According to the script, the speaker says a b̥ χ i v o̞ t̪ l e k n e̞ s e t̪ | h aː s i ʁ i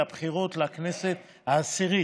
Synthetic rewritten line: a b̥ χ i ʁ o̞ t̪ l a k n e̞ s e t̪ | h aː s i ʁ i